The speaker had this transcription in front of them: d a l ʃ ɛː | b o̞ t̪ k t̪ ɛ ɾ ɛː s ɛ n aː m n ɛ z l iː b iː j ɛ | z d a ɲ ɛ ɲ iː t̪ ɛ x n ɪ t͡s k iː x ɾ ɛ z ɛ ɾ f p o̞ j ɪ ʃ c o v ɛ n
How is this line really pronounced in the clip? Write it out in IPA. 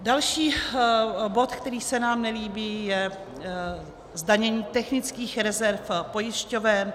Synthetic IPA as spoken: d a l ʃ iː | b o̞ t̪ k t̪ ɛ ɾ iː s ɛ n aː m n ɛ l iː b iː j ɛ | z d a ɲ ɛ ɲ iː t̪ ɛ x n ɪ t͡s k iː x ɾ ɛ z ɛ ɾ f p o̞ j ɪ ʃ c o v ɛ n